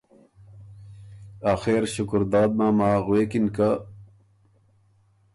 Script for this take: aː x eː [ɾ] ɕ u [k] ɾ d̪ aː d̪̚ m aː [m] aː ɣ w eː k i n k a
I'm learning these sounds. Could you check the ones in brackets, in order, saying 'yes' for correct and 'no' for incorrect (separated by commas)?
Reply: yes, yes, yes